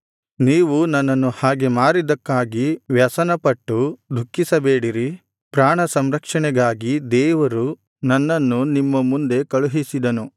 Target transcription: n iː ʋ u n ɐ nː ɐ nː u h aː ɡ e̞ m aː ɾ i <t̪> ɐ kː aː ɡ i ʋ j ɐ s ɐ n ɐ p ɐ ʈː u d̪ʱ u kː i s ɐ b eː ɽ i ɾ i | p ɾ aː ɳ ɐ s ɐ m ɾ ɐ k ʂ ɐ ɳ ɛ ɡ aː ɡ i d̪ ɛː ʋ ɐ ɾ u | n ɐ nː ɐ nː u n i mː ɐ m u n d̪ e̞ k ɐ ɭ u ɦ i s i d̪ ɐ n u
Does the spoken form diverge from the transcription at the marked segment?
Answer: yes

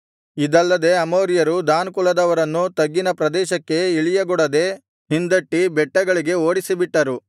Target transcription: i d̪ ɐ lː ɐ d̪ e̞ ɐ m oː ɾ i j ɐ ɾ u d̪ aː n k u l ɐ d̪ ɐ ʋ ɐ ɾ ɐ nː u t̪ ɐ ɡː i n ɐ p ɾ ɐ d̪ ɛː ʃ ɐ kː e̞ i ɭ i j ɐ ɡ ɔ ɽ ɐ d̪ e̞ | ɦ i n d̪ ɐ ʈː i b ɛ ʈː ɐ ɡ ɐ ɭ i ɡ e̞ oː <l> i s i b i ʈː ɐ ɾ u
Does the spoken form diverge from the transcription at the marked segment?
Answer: yes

